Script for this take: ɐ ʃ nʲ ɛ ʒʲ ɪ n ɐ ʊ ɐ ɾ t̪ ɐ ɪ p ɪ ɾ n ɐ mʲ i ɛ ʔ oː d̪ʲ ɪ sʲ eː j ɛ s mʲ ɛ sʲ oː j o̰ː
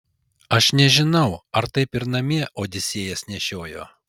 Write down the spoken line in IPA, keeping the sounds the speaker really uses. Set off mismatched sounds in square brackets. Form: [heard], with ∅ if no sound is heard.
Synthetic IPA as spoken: ɐ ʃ nʲ ɛ ʒʲ ɪ n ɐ ʊ ɐ ɾ t̪ ɐ ɪ p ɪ ɾ n ɐ mʲ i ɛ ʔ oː d̪ʲ ɪ sʲ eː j ɛ s [nʲ] ɛ [ʃʲ] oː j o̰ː